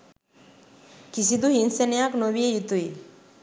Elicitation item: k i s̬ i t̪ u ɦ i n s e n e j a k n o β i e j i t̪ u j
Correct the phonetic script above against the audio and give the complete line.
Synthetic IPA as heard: k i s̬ i d̪ u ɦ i n s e n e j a k n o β i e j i t̪ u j

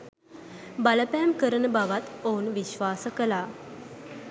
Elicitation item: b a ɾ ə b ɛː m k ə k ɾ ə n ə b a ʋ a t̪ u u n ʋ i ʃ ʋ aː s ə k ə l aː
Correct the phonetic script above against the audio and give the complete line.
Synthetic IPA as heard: b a l ə p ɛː m k ə ɾ ə n ə b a ʋ a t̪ o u n ʋ i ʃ ʋ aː s ə k ə l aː

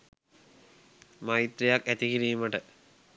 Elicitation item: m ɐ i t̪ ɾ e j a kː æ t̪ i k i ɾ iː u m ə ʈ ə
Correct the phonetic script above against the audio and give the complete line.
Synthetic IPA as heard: m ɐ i t̪ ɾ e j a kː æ t̪ i k i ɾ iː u m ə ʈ ə

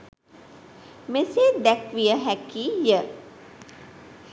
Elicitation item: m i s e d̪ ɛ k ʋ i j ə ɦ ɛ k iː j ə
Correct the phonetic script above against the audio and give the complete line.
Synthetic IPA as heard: m e s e d̪ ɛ k ʋ i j ə ɦ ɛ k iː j ə

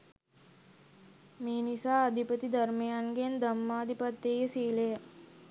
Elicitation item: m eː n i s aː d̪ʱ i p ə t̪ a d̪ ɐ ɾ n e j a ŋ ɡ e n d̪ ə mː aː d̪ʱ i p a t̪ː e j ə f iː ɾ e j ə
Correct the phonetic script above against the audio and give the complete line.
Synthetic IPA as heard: m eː n i s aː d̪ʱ i p ə t̪ i d̪ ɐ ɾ m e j a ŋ ɡ e n d̪ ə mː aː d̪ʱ i p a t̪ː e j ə s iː l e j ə

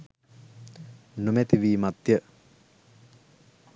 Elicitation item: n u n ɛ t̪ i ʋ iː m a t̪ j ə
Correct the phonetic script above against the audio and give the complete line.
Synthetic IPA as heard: n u m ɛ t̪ i ʋ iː m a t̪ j ə

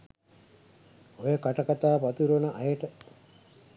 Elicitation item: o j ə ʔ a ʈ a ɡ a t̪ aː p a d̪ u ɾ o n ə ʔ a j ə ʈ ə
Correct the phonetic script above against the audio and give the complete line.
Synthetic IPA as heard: o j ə k a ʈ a k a t̪ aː p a t̪ u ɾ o n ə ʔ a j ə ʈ ə

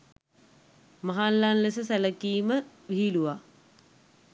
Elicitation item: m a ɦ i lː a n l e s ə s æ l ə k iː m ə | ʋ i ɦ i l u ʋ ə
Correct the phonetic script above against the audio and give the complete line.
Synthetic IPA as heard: m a ɦ a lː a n l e s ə s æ l ə k iː m ə | ʋ i ɦ i l u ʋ a

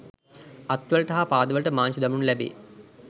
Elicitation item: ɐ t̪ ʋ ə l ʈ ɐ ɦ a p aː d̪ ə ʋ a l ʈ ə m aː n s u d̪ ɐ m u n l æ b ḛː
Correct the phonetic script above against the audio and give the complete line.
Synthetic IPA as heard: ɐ t̪ ʋ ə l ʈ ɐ ɦ a p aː d̪ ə ʋ ə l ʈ ə m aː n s u d̪ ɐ m u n l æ b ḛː

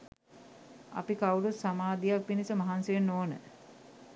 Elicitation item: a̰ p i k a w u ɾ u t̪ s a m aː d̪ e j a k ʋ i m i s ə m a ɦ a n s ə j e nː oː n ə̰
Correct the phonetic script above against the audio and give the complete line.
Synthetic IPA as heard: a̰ p i k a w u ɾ u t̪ s a m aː d̪ i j a k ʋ i n i s ə m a ɦ a n s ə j e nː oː n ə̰

